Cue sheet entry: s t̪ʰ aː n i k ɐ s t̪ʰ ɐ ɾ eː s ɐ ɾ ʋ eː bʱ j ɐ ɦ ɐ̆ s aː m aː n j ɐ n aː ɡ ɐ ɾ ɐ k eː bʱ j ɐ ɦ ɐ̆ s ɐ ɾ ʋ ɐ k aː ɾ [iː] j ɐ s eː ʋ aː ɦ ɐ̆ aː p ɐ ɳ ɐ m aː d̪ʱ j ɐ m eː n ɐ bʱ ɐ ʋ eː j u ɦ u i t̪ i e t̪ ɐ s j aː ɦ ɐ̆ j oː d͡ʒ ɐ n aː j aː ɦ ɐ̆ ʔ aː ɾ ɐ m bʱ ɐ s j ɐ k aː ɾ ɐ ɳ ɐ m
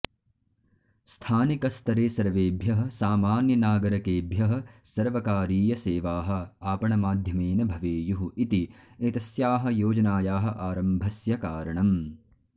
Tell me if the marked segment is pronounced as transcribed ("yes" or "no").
yes